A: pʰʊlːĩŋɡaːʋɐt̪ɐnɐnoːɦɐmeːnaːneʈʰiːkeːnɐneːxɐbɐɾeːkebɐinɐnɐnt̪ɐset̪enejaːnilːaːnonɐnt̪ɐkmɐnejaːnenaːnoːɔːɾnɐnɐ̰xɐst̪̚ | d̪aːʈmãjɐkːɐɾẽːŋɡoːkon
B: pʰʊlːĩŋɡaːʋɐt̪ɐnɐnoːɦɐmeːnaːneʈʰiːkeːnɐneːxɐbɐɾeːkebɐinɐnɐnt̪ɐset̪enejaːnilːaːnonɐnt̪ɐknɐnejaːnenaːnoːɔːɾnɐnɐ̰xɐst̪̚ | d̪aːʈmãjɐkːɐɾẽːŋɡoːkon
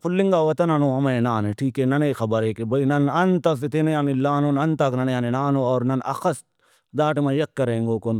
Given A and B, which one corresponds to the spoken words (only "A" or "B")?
B